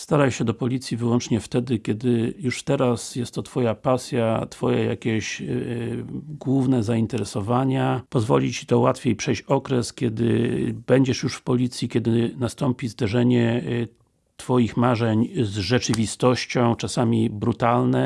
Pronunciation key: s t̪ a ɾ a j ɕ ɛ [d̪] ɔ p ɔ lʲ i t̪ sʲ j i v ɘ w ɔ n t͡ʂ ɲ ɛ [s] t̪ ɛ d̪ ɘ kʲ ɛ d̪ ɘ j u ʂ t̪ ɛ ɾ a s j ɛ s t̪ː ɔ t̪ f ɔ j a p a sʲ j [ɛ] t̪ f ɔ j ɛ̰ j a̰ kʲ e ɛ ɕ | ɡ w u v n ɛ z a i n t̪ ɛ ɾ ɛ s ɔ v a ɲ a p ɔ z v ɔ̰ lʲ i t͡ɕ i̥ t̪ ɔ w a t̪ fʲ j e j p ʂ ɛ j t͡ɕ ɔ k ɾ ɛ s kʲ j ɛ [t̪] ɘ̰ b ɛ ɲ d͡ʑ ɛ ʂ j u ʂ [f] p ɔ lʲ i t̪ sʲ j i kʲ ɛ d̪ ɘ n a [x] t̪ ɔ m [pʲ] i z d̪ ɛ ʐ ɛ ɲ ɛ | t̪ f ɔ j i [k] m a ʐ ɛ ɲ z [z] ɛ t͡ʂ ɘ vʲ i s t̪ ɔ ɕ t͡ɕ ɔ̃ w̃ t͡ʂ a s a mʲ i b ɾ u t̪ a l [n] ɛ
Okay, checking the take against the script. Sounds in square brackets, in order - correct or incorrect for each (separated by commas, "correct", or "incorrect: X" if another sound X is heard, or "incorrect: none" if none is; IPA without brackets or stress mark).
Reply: correct, incorrect: f, incorrect: a, incorrect: d̪, correct, incorrect: s, correct, incorrect: x, incorrect: ʐ, correct